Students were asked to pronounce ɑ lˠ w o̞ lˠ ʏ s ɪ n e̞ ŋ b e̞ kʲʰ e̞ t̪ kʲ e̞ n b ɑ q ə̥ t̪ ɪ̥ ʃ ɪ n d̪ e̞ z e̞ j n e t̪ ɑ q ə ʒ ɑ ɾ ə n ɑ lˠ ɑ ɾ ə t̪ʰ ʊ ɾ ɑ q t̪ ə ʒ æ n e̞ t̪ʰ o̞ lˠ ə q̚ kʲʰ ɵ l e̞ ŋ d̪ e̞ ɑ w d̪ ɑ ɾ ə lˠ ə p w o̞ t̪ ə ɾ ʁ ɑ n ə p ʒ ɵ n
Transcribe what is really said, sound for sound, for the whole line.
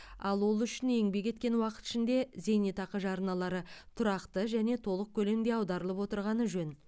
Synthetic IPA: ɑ lˠ w o̞ lˠ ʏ ʃ ɪ n e̞ ŋ b e̞ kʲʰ e̞ t̪ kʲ e̞ n w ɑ q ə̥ t̪ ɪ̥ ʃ ɪ n d̪ e̞ z e̞ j n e t̪ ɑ q ə ʒ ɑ ɾ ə n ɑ lˠ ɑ ɾ ə t̪ʰ ʊ ɾ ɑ q t̪ ə ʒ æ n e̞ t̪ʰ o̞ lˠ ə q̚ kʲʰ ɵ l e̞ m d̪ e̞ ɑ w d̪ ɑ ɾ ə lˠ ə p w o̞ t̪ ə ɾ ʁ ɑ n ə ʒ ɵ n

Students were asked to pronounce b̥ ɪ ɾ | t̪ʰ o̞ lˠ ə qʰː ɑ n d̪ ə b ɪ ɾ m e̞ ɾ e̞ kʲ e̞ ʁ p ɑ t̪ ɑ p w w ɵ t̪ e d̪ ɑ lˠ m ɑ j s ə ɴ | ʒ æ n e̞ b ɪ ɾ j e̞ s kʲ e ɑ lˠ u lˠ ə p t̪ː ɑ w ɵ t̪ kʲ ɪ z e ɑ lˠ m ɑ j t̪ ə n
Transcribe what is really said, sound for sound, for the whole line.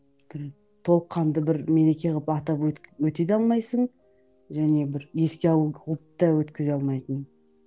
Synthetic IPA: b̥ ɪ ɾ | t̪ʰ o̞ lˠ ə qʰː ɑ n d̪ ə b ɪ ɾ m e̞ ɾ e̞ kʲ e̞ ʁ p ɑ t̪ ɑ p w w ɵ t̪ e d̪ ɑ lˠ m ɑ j s ə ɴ | ʒ æ n e̞ b ɪ ɾ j e̞ s kʲ e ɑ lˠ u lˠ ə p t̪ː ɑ w ɵ t̪ kʲ ɪ z e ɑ lˠ m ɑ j t̪ ə n

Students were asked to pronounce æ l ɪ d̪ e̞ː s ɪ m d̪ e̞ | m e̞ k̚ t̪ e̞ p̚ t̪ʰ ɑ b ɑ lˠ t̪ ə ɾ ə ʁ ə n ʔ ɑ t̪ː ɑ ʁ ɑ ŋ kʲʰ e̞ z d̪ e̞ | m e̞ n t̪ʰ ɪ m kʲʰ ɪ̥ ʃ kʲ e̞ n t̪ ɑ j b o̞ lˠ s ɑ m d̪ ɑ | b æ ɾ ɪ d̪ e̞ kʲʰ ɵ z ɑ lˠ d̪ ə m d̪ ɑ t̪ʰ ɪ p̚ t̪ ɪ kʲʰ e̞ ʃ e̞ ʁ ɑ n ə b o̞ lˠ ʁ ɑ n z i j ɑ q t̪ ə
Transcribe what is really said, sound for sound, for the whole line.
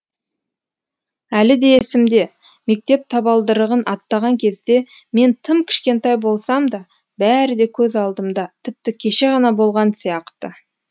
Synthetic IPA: æ l ɪ d̪ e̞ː s ɪ m d̪ e̞ | m e̞ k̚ t̪ e̞ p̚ t̪ʰ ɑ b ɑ lˠ d̪ ə ɾ ə ʁ ə n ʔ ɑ t̪ː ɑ ʁ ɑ ŋ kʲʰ e̞ z d̪ e̞ | m e̞ n t̪ʰ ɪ m kʲʰ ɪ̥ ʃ kʲ e̞ n t̪ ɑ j b o̞ lˠ s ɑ m d̪ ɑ | b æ ɾ ɪ d̪ e̞ kʲʰ ɵ z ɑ lˠ d̪ ə m d̪ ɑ t̪ʰ ɪ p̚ t̪ ɪ kʲʰ e̞ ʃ e̞ ʁ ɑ n ɑ b o̞ lˠ ʁ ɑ n s i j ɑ q t̪ ə

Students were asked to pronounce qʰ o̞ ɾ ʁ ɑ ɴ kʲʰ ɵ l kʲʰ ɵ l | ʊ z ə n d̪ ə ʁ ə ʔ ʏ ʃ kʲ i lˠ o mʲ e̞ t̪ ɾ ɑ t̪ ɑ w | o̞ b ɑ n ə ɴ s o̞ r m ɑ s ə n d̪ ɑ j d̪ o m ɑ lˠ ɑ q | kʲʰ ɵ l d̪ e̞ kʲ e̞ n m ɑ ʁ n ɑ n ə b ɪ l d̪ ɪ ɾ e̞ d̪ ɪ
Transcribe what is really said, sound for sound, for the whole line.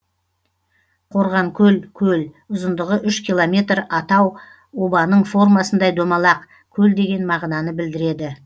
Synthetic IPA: qʰ o̞ ɾ ʁ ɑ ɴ kʲʰ ɵ l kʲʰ ɵ l | ʊ z ə n d̪ ə ʁ ə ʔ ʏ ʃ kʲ i lˠ o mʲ e̞ t̪ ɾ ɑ t̪ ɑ w | o̞ b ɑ n ə ɴ f o̞ r m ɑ s ə n d̪ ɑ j d̪ o m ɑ lˠ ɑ q | kʲʰ ɵ l d̪ e̞ ɡʲ e̞ n m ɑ ʁ n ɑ n ə b ɪ l d̪ ɪ ɾ e̞ d̪ ɪ

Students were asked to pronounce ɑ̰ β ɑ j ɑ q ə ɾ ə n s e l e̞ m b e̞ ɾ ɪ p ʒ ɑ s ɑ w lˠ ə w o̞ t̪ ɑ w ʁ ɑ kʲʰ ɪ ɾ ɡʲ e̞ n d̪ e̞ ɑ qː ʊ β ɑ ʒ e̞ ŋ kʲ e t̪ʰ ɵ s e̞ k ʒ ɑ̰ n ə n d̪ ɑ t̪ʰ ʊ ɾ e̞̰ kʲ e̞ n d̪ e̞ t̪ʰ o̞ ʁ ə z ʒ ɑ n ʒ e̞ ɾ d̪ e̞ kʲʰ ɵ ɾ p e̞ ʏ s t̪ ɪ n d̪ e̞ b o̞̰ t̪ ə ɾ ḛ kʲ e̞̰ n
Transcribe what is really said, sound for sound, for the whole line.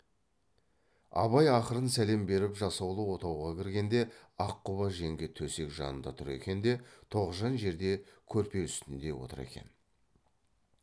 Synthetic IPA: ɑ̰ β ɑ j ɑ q ə ɾ ə n s æ l e̞ m b e̞ ɾ ɪ p ʒ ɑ s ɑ w lˠ ə w o̞ t̪ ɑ w ʁ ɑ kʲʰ ɪ ɾ ɡʲ e̞ n d̪ e̞ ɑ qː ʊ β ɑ ʒ e̞ ŋ ɡʲ e t̪ʰ ɵ s e̞ k ʒ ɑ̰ n ə n d̪ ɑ t̪ʰ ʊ ɾ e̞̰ kʲ e̞ n d̪ e̞ t̪ʰ o̞ ʁ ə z ʒ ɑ n ʒ e̞ ɾ d̪ e̞ kʲʰ ɵ ɾ p e̞ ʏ s t̪ ɪ n d̪ e̞ w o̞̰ t̪ ə ɾ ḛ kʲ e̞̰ n

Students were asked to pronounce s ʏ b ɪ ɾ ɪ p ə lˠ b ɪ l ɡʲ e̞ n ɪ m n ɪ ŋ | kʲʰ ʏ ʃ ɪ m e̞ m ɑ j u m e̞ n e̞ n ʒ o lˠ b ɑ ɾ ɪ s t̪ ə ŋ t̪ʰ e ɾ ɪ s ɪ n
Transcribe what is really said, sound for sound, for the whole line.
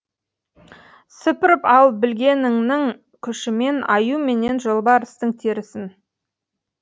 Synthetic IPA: s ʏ p ɪ ɾ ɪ p ɑ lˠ b ɪ l ɡʲ e̞ n ɪ ŋ n ɪ ŋ | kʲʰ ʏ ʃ ɪ m e̞ n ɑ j u m e̞ n e̞ n ʒ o lˠ b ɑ ɾ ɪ s t̪ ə ŋ t̪ʰ e ɾ ɪ s ɪ n

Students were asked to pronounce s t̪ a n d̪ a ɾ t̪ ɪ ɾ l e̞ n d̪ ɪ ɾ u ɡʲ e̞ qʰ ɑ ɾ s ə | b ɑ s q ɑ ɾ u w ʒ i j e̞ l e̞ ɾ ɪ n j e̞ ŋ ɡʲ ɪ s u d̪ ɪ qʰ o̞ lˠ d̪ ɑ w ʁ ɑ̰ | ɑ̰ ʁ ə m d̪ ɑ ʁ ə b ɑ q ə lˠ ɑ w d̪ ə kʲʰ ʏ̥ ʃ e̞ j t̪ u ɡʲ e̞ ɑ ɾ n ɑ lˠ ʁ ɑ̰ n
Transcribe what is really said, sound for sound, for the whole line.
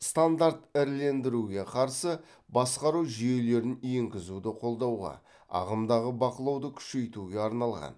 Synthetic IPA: s t̪ a n d̪ a ɾ t̪ ɪ ɾ l e̞ n d̪ ɪ ɾ u ɡʲ e̞ qʰ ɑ ɾ s ə | b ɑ s q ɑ ɾ u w ʒ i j e̞ l e̞ ɾ ɪ n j e̞ ŋ ɡʲ ɪ z u d̪ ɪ qʰ o̞ lˠ d̪ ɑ w ʁ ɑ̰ | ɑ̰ ʁ ə m d̪ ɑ ʁ ə b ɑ q ə lˠ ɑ w d̪ ə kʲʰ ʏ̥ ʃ e̞ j t̪ u ɡʲ e̞ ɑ ɾ n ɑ lˠ ʁ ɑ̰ n

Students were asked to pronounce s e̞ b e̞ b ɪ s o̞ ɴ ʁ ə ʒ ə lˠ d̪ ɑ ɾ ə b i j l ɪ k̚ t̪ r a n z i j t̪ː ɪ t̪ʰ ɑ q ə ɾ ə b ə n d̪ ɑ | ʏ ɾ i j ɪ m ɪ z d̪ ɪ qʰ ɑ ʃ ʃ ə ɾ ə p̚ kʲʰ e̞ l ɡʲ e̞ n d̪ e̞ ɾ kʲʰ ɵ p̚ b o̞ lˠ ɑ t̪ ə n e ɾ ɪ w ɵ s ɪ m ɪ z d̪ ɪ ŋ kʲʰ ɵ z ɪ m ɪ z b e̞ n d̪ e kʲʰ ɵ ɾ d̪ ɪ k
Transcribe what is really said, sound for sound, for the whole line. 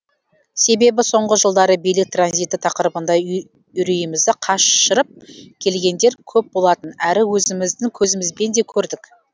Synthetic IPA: s e̞ b e̞ b ɪ s o̞ ɴ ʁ ə ʒ ə lˠ d̪ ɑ ɾ ə b i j l ɪ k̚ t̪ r a n z i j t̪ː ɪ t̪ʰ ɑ q ə ɾ ə b ə n d̪ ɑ | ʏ ɾ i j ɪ m ɪ z d̪ ɪ qʰ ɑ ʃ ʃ ə ɾ ə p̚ kʲʰ e̞ l ɡʲ e̞ n d̪ e̞ ɾ kʲʰ ɵ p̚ b o̞ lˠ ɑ t̪ ə n æ ɾ ɪ w ɵ z ɪ m ɪ z d̪ ɪ ŋ kʲʰ ɵ z ɪ m ɪ z b e̞ n d̪ e kʲʰ ɵ ɾ d̪ ɪ k

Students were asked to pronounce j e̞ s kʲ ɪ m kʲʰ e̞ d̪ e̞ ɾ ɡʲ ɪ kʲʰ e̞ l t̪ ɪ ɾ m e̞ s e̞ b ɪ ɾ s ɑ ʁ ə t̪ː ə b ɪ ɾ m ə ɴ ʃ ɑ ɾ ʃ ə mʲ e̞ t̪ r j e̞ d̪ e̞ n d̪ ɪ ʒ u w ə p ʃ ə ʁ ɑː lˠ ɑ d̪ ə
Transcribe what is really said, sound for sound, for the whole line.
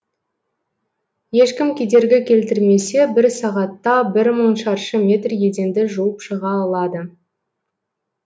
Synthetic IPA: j e̞ ʃ kʲ ɪ m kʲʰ e̞ d̪ e̞ ɾ ɡʲ ɪ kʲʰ e̞ l t̪ ɪ ɾ m e̞ s e̞ b ɪ ɾ s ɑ ʁ ɑ t̪ː ɑ b ɪ ɾ m ə ɴ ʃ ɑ ɾ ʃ ə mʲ e̞ t̪ r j e̞ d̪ e̞ n d̪ ɪ ʒ u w ə p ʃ ə ʁ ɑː lˠ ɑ d̪ ə

